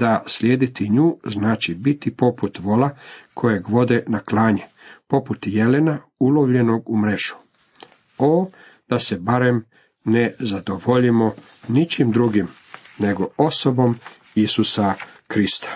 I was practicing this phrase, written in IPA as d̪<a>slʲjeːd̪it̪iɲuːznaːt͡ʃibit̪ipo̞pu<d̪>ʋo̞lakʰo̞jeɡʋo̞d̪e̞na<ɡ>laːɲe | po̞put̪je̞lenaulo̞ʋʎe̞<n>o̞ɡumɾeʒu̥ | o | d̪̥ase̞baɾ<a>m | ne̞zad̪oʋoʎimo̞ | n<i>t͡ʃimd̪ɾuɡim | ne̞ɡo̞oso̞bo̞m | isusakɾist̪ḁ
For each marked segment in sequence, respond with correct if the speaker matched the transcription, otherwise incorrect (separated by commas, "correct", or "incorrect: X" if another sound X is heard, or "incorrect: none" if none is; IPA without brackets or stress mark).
correct, incorrect: t̪, incorrect: k, correct, incorrect: e, correct